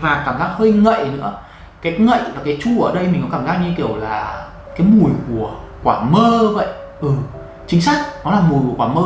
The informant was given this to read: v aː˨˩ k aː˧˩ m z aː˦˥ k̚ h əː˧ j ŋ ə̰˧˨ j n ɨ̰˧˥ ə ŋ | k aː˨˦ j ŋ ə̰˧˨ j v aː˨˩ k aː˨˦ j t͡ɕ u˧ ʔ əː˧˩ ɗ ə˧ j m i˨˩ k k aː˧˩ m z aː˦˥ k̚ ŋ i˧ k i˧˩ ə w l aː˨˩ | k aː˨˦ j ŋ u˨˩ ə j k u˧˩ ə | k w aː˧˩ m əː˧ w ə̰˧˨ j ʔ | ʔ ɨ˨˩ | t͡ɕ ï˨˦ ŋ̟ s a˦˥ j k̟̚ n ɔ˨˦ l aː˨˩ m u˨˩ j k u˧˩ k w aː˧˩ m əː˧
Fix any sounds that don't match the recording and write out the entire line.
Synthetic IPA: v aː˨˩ k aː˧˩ m z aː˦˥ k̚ h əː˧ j ŋ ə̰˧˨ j n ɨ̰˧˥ ə | k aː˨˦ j ŋ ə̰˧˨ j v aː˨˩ k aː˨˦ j t͡ɕ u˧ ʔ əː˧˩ ɗ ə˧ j m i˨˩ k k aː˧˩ m z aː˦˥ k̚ ɲ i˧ k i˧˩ ə w l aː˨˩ | k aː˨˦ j m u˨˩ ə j k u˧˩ ə | k w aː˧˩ m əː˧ v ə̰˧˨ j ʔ | ʔ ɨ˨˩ | t͡ɕ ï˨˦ ŋ̟ s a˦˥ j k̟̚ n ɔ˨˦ l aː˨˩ m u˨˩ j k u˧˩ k w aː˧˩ m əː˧